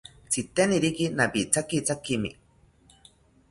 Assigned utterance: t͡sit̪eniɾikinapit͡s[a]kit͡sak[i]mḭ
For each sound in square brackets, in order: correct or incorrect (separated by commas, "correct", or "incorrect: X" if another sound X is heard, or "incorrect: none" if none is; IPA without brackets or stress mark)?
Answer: correct, correct